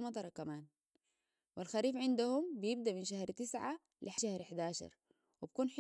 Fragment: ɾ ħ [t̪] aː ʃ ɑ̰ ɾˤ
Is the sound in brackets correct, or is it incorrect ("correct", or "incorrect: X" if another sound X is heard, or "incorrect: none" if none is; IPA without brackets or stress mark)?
incorrect: d̪